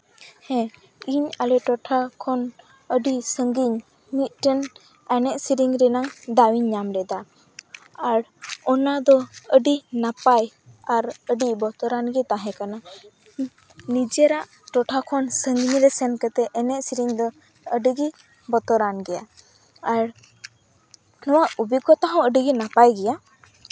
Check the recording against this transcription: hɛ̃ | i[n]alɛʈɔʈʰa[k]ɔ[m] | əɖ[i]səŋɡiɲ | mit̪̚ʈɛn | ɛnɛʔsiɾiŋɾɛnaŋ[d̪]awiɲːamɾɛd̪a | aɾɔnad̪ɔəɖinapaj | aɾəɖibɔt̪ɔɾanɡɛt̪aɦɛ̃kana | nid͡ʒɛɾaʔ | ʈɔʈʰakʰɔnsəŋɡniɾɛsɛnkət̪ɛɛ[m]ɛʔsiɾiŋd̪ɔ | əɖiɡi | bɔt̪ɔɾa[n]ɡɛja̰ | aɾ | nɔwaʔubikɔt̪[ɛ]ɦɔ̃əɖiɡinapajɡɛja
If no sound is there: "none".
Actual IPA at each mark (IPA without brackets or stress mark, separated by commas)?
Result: ɲ, kʰ, n, i, d̪, n, n, a